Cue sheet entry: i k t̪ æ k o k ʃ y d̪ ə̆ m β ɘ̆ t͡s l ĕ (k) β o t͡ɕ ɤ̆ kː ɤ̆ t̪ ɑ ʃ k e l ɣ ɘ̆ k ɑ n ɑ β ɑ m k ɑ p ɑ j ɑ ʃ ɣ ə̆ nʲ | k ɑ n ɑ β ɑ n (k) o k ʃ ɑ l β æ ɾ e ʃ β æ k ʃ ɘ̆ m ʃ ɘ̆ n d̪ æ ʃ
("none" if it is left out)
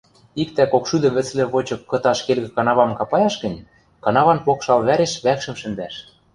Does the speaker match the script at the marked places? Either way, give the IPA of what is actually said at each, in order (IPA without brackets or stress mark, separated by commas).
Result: none, p